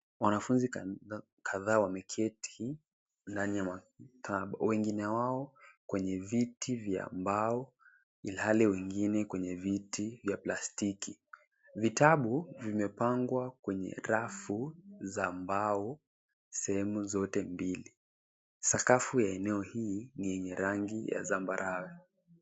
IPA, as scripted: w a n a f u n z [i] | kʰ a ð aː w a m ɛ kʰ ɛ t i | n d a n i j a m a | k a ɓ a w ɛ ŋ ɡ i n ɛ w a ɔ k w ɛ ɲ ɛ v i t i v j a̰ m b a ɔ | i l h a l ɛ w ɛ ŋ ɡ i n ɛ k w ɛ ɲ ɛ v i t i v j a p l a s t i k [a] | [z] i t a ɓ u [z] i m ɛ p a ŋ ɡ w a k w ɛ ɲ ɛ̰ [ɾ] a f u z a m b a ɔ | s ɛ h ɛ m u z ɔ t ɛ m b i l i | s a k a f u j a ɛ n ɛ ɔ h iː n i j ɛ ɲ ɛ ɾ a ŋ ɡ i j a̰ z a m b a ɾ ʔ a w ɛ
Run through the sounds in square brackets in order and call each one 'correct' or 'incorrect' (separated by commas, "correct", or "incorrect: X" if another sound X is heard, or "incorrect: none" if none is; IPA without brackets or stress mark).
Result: correct, incorrect: i, incorrect: v, incorrect: v, correct